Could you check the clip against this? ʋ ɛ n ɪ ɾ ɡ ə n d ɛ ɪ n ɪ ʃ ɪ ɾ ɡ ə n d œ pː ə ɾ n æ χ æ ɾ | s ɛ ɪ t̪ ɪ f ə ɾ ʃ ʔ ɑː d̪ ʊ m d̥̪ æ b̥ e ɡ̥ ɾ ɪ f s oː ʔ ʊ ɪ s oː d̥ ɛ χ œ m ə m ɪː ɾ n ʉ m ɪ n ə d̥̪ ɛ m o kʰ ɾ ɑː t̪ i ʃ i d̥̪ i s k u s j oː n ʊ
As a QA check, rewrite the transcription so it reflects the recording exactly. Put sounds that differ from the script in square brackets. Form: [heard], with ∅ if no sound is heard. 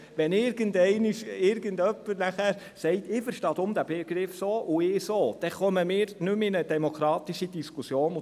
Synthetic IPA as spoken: ʋ ɛ n ɪ ɾ ɡ ə n d ɛ ɪ n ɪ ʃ ɪ ɾ ɡ ə n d œ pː ə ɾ n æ χ æ ɾ | s ɛ ɪ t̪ ɪ f ə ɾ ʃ [t] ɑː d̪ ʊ m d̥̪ æ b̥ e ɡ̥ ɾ ɪ f s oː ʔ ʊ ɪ s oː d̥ ɛ χ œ m ə m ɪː ɾ n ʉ m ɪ n ə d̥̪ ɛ m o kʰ ɾ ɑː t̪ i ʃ i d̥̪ i s k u s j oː n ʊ